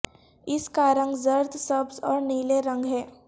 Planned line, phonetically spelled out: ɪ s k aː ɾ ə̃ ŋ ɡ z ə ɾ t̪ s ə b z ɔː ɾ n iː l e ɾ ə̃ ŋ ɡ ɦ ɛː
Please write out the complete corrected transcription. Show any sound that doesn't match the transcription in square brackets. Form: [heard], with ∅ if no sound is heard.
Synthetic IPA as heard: ɪ s k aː ɾ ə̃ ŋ ɡ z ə ɾ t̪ s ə b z ɔː ɾ n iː l e ɾ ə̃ ŋ ɡ ɦ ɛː